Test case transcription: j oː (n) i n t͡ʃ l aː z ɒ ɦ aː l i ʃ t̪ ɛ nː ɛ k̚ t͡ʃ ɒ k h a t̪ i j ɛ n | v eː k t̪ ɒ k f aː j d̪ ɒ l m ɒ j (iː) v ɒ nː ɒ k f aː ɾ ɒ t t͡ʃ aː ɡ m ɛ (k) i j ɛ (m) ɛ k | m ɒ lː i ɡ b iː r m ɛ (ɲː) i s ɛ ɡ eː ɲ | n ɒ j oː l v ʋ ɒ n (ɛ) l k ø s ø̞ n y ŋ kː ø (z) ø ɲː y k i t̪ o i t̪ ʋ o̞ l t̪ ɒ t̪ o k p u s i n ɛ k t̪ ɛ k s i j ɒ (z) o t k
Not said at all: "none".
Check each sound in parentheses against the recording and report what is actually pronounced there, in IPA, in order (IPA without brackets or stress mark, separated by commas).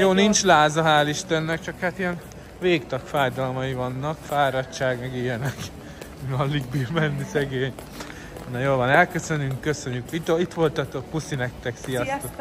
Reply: n, i, ɡ, n, nː, ɛ, s, s